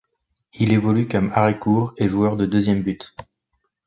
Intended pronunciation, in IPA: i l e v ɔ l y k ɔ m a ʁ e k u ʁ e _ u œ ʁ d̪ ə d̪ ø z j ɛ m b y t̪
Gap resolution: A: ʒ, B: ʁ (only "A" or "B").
A